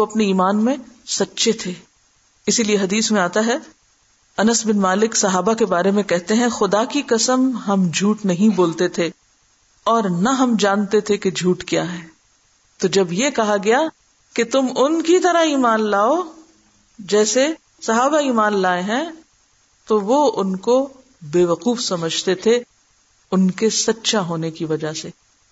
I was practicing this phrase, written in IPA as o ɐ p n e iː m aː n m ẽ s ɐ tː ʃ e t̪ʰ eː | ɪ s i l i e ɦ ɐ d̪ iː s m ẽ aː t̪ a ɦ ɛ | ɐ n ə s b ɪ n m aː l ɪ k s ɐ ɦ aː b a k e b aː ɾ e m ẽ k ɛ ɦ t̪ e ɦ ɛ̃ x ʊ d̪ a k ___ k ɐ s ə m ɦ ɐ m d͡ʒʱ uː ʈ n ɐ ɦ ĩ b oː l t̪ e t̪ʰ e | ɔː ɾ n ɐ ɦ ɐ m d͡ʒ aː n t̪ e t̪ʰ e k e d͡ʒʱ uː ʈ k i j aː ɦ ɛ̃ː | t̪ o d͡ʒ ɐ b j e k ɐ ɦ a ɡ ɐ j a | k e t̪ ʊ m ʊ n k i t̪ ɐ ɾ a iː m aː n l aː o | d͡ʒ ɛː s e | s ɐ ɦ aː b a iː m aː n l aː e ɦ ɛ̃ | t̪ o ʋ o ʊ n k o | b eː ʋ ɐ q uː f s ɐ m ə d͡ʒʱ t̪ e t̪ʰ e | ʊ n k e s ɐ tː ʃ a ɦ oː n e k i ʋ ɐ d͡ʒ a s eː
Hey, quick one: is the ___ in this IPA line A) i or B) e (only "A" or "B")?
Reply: A